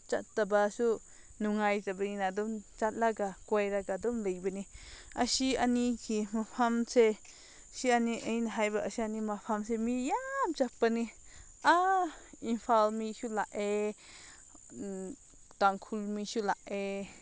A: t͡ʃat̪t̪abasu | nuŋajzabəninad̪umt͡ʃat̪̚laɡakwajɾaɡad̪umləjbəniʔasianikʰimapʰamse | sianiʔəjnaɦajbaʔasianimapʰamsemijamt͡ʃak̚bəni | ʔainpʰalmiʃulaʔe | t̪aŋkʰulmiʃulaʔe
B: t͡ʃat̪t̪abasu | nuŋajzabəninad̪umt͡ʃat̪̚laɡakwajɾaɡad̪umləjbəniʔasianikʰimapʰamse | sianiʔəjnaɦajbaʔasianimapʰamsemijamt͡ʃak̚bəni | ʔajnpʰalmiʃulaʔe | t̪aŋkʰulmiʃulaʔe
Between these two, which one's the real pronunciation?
A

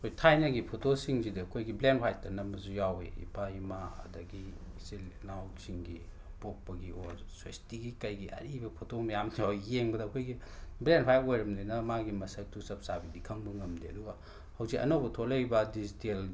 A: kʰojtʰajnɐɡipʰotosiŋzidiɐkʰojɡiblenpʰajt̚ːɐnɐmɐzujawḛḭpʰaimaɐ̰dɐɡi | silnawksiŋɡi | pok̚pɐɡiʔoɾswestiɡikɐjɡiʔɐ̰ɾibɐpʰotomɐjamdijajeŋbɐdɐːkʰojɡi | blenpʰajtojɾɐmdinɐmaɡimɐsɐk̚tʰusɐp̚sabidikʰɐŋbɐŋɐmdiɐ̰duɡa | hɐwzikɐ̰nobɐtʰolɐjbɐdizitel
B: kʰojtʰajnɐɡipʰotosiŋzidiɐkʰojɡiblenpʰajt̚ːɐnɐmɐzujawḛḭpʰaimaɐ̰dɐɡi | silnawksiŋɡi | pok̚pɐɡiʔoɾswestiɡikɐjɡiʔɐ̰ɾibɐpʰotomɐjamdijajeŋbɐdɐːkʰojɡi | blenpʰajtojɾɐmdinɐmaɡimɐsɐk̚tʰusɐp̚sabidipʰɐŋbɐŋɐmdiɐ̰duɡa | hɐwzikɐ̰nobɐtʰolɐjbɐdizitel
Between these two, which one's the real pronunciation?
A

